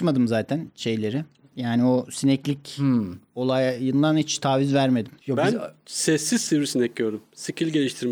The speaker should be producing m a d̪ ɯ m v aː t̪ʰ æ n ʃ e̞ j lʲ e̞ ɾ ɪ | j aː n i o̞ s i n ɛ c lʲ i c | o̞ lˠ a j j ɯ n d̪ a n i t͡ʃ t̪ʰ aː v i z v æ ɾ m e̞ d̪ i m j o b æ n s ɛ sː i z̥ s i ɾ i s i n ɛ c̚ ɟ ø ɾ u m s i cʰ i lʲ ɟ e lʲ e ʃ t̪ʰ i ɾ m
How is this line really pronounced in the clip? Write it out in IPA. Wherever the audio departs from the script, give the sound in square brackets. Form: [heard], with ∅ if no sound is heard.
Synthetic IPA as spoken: m a d̪ ɯ m [z] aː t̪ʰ æ n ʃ e̞ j lʲ e̞ ɾ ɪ | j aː n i o̞ s i n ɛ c lʲ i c | o̞ lˠ a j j ɯ n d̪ a n i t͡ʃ t̪ʰ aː v i z v æ ɾ m e̞ d̪ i m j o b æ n s ɛ sː i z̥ s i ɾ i s i n ɛ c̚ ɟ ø ɾ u m s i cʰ i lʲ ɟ e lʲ [i] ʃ t̪ʰ i ɾ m